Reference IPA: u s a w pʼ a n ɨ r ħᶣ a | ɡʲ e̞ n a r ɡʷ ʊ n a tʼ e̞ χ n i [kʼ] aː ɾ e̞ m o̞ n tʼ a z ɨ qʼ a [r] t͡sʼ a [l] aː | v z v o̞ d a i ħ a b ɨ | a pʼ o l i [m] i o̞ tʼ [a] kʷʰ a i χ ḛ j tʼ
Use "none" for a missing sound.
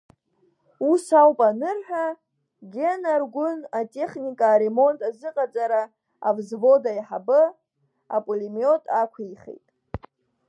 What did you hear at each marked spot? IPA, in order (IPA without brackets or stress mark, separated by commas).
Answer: kʼ, none, ɾ, m, a